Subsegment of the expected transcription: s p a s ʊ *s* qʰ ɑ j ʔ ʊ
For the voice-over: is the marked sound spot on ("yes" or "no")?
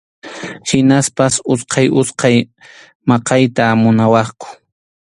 yes